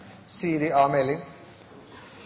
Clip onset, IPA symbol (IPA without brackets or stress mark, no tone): s